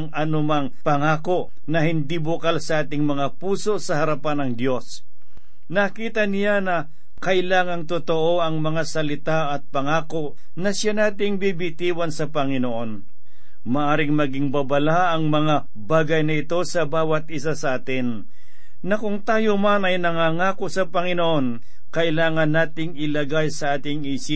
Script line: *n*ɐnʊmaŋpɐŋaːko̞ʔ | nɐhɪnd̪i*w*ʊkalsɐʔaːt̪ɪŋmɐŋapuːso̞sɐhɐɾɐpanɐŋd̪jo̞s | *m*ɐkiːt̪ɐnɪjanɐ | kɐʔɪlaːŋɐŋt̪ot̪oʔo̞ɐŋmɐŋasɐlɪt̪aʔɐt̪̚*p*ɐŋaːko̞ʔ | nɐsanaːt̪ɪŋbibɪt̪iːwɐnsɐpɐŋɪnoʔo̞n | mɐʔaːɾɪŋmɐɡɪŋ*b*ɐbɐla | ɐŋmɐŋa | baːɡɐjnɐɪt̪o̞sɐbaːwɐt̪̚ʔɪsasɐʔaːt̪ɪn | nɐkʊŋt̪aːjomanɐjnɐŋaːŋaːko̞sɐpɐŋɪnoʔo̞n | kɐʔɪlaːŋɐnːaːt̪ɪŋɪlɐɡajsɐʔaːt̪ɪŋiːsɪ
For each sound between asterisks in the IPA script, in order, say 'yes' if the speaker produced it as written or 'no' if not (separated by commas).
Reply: no, no, no, yes, yes